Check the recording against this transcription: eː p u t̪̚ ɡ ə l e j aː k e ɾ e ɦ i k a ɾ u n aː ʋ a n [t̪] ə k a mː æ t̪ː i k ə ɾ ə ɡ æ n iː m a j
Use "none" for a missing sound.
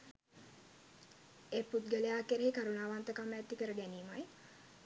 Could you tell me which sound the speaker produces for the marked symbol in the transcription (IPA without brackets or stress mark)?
t̪